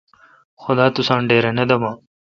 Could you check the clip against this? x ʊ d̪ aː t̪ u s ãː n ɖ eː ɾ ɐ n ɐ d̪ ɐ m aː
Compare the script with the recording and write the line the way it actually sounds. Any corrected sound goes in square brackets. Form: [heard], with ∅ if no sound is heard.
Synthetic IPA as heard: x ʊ d̪ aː t̪ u s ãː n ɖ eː ɾ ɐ n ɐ d̪ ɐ m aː